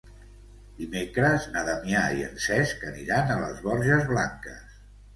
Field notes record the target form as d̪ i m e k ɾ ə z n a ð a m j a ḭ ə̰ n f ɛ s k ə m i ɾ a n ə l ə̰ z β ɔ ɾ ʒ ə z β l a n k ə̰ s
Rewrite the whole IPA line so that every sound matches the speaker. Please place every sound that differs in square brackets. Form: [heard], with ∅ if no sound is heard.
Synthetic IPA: d̪ i m e k ɾ ə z n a ð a m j a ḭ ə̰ n [s] ɛ s k ə [n] i ɾ a n ə l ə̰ z β ɔ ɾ ʒ ə z β l a [ŋ] k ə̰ s